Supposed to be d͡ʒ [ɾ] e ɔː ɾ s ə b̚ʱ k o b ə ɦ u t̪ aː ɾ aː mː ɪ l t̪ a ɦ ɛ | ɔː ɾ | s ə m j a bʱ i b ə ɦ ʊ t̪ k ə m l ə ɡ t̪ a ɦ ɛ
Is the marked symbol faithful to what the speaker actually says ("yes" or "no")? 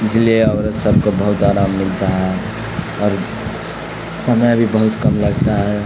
no